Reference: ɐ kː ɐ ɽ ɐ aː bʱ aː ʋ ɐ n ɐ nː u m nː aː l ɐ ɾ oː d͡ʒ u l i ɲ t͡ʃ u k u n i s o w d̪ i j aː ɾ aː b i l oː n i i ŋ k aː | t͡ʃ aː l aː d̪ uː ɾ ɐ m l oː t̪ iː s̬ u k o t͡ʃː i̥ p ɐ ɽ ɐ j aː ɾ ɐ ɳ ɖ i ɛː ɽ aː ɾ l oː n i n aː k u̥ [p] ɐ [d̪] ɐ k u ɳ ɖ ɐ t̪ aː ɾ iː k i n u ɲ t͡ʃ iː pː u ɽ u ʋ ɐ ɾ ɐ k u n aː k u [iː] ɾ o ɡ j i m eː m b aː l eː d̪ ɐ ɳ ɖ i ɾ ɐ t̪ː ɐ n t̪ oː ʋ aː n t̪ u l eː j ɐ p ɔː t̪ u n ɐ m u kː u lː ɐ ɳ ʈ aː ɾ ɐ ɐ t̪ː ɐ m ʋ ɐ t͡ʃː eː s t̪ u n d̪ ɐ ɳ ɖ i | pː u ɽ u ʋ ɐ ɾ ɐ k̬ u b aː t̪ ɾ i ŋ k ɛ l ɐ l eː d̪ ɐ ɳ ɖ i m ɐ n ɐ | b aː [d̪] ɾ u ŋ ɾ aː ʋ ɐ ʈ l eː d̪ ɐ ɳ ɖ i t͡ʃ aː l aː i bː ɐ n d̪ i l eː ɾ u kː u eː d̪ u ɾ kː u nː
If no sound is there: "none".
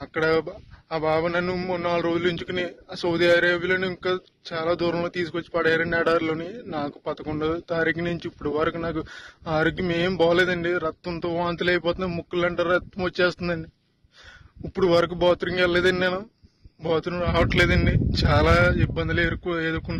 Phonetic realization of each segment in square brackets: p, t̪, aː, t̪

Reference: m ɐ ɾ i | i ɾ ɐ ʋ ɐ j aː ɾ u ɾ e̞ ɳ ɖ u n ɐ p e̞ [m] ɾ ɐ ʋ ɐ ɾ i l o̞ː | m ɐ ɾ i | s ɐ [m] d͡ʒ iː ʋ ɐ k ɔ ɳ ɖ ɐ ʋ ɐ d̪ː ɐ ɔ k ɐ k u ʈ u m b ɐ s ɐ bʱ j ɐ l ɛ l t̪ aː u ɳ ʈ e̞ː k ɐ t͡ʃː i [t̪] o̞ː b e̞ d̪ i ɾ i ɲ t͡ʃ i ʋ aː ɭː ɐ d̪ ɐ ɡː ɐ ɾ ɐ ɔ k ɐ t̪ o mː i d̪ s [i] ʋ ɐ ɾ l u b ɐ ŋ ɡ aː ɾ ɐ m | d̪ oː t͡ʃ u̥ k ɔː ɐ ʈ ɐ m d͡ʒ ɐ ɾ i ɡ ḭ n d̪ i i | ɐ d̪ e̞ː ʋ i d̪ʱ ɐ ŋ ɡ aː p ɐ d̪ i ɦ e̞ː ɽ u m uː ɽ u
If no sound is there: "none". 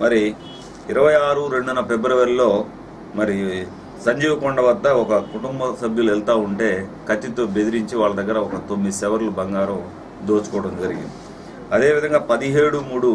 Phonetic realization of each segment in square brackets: b, ɲ, t̪, ɛ

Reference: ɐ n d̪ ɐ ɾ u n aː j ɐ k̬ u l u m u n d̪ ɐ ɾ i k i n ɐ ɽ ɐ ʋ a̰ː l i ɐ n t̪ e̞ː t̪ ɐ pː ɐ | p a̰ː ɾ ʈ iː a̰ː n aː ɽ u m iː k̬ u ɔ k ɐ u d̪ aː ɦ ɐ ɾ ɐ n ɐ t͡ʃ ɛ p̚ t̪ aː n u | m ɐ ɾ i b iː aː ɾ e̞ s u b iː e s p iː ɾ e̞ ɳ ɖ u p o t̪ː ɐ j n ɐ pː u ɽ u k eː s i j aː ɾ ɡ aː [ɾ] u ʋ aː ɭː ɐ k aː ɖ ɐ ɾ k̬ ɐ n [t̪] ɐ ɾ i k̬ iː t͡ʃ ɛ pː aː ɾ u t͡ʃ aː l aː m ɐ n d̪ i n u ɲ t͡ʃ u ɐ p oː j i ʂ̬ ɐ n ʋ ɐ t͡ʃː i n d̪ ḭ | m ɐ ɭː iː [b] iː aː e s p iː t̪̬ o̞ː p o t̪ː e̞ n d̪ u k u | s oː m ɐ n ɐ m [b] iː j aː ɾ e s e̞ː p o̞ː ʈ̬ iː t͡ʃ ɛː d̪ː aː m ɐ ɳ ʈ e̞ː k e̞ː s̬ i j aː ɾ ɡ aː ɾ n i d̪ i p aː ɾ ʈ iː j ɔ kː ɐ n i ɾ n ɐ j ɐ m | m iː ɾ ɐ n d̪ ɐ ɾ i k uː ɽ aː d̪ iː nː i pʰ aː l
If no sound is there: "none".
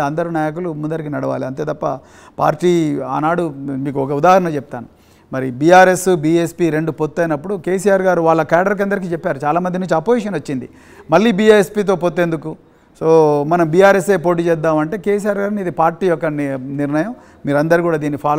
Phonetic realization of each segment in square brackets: ɾ, d̪, b, b

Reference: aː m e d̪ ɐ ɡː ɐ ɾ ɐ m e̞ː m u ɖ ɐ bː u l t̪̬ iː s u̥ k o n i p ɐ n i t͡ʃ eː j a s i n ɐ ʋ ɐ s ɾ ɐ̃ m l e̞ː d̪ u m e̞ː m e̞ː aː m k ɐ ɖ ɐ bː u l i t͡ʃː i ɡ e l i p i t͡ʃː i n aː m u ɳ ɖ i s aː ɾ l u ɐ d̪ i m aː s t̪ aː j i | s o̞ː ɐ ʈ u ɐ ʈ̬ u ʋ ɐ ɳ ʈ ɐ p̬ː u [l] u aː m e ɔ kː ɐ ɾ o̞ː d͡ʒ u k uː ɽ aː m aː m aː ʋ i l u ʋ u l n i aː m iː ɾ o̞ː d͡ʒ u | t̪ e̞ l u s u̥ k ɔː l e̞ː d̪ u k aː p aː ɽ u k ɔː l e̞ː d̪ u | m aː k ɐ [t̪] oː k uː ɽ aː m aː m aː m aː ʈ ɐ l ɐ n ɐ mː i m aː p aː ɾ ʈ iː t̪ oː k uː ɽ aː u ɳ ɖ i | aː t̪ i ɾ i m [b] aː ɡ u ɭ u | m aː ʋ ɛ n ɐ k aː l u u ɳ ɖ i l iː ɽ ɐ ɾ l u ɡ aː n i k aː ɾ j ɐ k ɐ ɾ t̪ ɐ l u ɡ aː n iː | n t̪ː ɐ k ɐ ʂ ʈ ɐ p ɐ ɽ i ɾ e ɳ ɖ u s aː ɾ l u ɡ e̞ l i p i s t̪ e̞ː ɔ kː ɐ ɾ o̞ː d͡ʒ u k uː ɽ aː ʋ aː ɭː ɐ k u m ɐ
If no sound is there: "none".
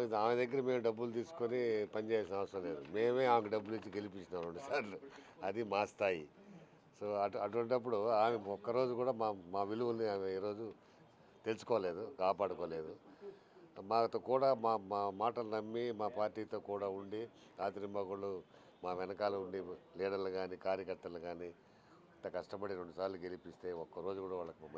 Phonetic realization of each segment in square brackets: ɽ, t̪, b

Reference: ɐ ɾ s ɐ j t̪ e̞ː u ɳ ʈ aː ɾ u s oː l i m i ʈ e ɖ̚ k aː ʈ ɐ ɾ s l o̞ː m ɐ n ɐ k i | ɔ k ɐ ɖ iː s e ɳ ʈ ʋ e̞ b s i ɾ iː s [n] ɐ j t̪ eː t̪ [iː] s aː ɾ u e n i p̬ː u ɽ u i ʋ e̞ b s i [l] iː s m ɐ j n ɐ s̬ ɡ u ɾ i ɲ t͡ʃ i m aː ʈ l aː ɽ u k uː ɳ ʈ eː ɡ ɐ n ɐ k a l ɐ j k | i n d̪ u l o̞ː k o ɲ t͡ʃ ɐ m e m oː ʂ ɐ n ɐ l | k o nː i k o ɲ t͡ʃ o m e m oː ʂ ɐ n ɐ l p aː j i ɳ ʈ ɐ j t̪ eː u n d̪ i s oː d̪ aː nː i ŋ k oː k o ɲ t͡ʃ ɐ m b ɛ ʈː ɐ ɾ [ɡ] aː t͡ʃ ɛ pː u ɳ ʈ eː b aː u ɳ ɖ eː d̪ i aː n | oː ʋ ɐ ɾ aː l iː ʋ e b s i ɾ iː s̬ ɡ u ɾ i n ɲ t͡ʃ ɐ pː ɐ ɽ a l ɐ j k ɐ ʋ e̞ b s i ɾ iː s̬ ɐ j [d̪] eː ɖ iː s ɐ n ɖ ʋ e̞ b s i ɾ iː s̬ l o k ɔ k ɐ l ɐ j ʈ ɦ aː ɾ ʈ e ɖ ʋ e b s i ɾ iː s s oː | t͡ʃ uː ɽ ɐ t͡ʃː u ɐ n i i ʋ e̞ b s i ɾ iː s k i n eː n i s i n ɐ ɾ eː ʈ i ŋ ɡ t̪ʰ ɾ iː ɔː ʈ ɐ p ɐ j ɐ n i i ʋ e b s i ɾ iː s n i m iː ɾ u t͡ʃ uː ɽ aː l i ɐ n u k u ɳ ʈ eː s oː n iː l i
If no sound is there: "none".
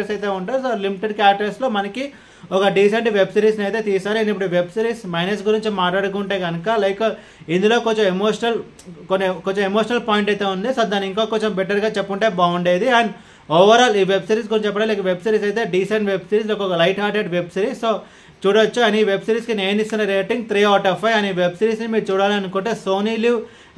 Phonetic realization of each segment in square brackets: n, iː, ɾ, ɡ, t̪

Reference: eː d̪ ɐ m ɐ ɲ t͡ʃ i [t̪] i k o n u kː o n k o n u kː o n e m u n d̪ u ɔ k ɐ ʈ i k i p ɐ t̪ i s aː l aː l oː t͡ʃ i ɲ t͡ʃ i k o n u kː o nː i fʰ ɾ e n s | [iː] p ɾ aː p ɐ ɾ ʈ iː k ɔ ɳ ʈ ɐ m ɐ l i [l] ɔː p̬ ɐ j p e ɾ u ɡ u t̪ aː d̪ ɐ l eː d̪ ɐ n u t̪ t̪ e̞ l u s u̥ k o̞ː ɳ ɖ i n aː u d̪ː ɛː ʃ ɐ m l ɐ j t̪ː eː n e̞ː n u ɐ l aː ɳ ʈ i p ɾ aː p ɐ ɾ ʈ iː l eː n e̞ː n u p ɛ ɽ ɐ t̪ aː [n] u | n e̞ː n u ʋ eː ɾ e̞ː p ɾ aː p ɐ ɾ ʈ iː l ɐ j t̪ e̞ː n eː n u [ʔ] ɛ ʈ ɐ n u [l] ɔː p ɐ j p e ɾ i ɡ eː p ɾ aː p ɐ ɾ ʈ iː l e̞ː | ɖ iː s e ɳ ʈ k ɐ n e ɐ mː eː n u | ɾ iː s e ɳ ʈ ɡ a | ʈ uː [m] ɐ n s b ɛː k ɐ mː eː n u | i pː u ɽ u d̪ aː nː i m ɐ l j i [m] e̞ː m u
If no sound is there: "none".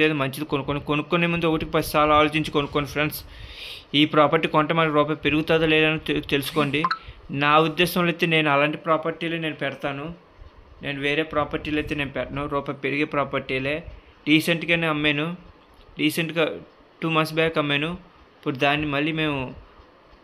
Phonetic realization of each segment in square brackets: d̪, iː, ɾ, n, p, ɾ, m, m

